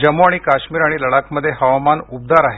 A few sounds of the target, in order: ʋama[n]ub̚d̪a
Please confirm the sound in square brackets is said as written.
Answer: yes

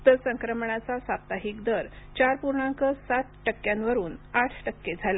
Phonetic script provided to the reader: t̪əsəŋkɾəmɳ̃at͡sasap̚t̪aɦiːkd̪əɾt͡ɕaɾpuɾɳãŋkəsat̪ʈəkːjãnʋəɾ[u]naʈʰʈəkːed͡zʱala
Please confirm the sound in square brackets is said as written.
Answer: no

